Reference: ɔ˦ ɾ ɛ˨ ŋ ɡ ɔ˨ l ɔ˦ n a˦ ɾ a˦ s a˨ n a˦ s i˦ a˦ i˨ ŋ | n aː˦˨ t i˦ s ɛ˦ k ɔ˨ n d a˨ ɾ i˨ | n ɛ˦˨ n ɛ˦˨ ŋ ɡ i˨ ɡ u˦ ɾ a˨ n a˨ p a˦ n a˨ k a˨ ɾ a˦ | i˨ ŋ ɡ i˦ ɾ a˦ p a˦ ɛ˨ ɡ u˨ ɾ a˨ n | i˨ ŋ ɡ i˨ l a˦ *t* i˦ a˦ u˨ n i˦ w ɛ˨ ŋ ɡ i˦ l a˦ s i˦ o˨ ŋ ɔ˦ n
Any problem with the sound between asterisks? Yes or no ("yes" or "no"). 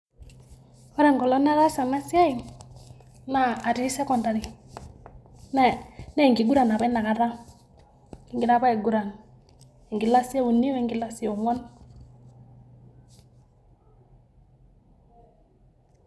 yes